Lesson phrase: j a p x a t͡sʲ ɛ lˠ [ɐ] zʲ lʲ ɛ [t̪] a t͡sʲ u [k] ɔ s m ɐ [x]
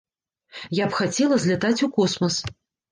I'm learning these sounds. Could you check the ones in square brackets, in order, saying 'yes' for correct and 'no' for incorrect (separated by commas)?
yes, yes, yes, no